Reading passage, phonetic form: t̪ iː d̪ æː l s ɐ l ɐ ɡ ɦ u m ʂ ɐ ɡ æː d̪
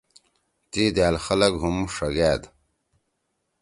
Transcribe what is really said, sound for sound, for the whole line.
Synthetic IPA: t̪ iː d̪ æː l x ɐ l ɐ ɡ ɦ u m ʂ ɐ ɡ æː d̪